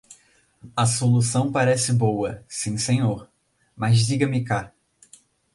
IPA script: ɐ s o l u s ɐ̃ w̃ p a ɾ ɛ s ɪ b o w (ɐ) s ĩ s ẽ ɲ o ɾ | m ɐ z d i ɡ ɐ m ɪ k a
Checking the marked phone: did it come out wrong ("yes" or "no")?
no